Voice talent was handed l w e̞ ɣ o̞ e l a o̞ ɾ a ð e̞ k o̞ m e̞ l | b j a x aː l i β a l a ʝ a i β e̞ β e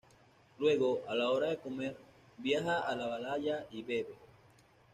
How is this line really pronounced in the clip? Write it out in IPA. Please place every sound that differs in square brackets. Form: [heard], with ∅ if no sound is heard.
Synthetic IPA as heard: l w e̞ ɣ o̞ [a] l a o̞ ɾ a ð e̞ k o̞ m e̞ [ɾ] | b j a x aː l [a] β a l a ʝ a i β e̞ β e